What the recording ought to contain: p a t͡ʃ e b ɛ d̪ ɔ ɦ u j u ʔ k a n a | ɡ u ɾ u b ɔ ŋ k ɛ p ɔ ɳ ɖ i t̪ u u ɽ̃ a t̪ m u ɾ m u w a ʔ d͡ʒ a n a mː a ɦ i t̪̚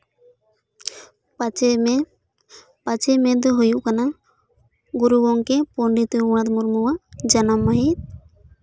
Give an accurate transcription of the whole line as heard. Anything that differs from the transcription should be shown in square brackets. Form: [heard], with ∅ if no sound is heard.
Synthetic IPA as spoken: p a t͡ʃ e [m] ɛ d̪ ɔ ɦ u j u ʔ k a n a | ɡ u ɾ u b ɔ ŋ k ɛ p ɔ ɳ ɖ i t̪ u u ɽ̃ a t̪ m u ɾ m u w a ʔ d͡ʒ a n a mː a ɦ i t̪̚

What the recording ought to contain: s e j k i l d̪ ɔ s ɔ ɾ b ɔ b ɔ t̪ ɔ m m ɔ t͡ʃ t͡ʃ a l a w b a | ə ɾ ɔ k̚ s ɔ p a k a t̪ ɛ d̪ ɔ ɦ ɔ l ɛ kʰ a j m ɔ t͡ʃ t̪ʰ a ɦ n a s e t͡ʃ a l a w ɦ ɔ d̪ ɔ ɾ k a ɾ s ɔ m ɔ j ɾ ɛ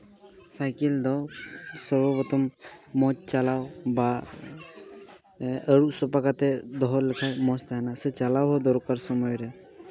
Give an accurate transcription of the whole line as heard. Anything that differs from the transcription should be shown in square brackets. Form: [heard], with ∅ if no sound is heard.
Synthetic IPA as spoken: s [a] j k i l d̪ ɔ s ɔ ɾ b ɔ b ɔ t̪ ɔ m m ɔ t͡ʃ t͡ʃ a l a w b a | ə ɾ [u] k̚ s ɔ p a k a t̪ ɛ d̪ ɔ ɦ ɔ l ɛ kʰ a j m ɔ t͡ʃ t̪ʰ a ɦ n a s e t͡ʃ a l a w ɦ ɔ d̪ ɔ ɾ k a ɾ s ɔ m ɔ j ɾ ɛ

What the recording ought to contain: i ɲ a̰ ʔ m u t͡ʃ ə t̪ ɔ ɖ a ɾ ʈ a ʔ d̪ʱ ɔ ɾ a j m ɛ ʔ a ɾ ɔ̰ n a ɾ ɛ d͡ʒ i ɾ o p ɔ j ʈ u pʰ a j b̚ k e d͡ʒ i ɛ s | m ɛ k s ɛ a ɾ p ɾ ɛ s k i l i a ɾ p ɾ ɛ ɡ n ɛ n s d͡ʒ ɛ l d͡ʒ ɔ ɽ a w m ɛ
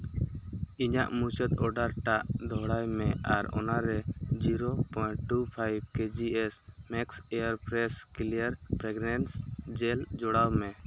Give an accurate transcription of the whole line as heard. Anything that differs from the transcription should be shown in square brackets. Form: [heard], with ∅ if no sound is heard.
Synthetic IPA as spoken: i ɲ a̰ ʔ m u t͡ʃ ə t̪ ɔ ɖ a ɾ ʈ a ʔ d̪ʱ ɔ [ɽ] a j m ɛ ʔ a ɾ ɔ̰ n a ɾ ɛ d͡ʒ i ɾ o p ɔ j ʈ u pʰ a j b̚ k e d͡ʒ i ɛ s | m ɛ k s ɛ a ɾ p ɾ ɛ s k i l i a ɾ p ɾ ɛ ɡ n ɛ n s d͡ʒ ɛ l d͡ʒ ɔ ɽ a w m ɛ

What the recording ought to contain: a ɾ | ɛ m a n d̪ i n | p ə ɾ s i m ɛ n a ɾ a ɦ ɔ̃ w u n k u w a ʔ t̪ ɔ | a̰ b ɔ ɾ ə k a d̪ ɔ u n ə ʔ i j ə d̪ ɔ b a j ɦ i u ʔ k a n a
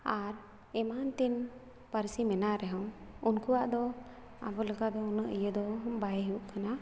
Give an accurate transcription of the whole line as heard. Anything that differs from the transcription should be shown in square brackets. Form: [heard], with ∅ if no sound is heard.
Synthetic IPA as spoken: a ɾ | ɛ m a n [t̪] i n | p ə ɾ s i m ɛ n a ɾ [ɛ] ɦ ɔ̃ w u n k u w a ʔ [d̪] ɔ | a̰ b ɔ [l] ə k a d̪ ɔ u n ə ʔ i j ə d̪ ɔ b a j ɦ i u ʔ k a n a

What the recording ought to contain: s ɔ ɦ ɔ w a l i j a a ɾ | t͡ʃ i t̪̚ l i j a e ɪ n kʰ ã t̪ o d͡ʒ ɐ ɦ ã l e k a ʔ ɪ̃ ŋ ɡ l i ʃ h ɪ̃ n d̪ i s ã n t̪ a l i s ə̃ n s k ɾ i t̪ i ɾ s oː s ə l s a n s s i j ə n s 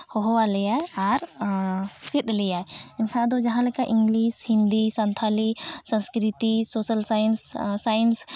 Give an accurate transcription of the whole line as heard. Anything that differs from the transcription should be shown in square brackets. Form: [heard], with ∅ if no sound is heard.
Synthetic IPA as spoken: [h] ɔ ɦ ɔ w a l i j a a ɾ | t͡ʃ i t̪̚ l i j a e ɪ n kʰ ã [d̪] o d͡ʒ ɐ ɦ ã l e k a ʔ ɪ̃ ŋ ɡ l i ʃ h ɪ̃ n d̪ i s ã n [t̪ʰ] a l i s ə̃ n s k ɾ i t̪ i [∅] s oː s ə l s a n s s [a] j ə n s

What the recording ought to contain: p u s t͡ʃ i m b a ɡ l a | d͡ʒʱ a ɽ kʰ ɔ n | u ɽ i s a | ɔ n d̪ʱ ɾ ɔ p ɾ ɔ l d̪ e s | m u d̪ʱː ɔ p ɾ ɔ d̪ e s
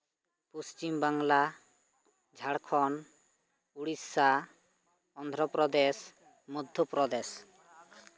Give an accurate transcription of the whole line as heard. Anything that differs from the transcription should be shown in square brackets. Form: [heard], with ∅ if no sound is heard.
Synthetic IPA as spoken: p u s t͡ʃ i m b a [ŋ] l a | d͡ʒʱ a ɽ kʰ ɔ n | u ɽ i s a | ɔ n d̪ʱ ɾ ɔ p ɾ ɔ [∅] d̪ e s | m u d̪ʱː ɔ p ɾ ɔ d̪ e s

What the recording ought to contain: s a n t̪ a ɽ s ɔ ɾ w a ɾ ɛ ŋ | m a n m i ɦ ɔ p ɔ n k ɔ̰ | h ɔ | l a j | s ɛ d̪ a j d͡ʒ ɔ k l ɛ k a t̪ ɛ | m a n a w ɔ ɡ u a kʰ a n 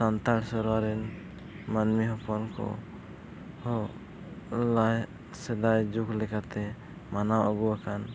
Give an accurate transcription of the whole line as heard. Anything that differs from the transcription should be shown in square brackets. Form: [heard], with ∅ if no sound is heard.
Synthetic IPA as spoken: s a n t̪ a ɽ s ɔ ɾ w a ɾ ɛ [n] | m a n m i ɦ ɔ p ɔ n k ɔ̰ | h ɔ | l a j | s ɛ d̪ a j d͡ʒ [u] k l ɛ k a t̪ ɛ | m a n a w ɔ ɡ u a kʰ a n

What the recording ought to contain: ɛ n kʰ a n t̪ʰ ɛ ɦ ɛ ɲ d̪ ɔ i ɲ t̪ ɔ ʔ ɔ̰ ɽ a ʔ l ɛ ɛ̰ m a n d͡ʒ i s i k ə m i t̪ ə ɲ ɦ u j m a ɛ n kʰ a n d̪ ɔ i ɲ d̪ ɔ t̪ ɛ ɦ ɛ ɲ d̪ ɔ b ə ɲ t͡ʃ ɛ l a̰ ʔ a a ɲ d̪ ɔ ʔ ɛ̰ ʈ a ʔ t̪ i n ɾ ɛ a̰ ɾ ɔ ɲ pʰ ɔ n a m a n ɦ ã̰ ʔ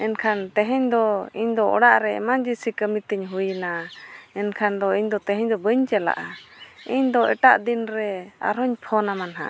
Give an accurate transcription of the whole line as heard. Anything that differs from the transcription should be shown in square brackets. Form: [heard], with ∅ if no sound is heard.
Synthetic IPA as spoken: ɛ n kʰ a n [t̪] ɛ ɦ ɛ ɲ d̪ ɔ i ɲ [d̪] ɔ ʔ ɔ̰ ɽ a ʔ [ɾ] ɛ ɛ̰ m a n d͡ʒ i s i k ə m i t̪ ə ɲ ɦ u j [n] a ɛ n kʰ a n d̪ ɔ i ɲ d̪ ɔ t̪ ɛ ɦ ɛ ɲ d̪ ɔ b ə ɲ t͡ʃ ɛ l a̰ ʔ a [i] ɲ d̪ ɔ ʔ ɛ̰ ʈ a ʔ [d̪] i n ɾ ɛ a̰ ɾ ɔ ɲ pʰ ɔ n a m a n ɦ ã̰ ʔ

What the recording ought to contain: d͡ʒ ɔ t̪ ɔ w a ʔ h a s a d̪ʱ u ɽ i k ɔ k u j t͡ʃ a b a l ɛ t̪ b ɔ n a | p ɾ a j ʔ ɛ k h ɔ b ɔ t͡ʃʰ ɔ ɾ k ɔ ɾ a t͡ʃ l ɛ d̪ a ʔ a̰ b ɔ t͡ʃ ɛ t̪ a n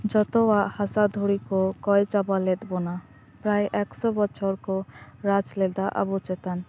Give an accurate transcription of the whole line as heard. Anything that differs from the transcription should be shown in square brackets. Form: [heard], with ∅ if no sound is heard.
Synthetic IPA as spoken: d͡ʒ ɔ t̪ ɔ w a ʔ h a s a d̪ʱ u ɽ i k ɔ k [ɔ] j t͡ʃ a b a l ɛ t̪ b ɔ n a | p ɾ a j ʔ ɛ k [s] ɔ b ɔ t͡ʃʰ ɔ ɾ k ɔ ɾ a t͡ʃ l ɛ d̪ a ʔ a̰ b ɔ t͡ʃ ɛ t̪ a n

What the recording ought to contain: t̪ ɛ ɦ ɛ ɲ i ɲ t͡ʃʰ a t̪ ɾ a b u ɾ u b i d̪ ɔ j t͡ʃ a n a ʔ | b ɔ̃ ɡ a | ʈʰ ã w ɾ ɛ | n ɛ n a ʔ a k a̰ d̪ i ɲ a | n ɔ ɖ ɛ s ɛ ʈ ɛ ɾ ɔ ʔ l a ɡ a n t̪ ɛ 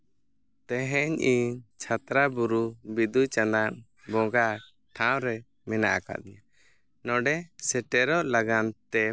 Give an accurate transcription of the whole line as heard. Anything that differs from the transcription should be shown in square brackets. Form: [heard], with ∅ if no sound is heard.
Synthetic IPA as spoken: t̪ ɛ ɦ ɛ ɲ i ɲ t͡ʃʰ a t̪ ɾ a b u ɾ u b i d̪ [u] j t͡ʃ a n a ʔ | b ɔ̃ ɡ a | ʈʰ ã w ɾ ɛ | [m] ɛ n a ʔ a k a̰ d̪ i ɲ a | n ɔ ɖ ɛ s ɛ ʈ ɛ ɾ ɔ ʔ l a ɡ a n t̪ ɛ

